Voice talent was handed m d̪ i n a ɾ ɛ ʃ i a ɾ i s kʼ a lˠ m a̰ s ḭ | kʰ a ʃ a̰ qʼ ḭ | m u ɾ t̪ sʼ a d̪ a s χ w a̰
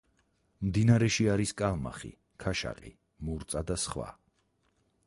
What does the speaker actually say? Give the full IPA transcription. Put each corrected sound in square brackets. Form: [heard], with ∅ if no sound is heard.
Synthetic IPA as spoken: m d̪ i n a ɾ ɛ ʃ i a ɾ i s kʼ a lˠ m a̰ [χ] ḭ | kʰ a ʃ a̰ qʼ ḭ | m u ɾ t̪ sʼ a d̪ a s χ w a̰